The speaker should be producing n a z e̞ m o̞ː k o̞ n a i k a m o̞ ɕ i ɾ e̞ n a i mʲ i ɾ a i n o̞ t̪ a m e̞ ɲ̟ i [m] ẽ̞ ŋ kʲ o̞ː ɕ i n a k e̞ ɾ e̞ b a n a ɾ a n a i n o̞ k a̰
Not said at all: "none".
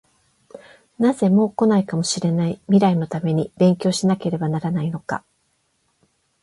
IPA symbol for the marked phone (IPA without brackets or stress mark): b